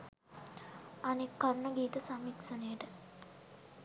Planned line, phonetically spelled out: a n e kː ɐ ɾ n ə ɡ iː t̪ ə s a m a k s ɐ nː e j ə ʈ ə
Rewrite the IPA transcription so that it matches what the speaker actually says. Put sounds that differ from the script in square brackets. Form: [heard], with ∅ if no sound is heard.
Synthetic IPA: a n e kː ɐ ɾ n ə ɡ iː t̪ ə s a m [i] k s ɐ [n] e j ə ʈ ə